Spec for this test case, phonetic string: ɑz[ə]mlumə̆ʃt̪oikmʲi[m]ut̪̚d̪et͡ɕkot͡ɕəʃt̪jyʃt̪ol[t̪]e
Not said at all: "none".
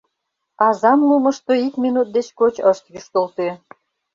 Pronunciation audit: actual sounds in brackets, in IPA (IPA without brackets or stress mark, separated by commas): ɑ, n, t̪